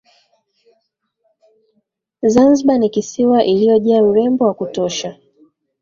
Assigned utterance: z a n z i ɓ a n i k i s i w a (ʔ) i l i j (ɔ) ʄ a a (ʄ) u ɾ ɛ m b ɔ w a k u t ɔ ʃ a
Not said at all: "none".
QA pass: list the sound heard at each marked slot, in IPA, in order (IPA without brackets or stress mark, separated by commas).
ʔ, ɔ, none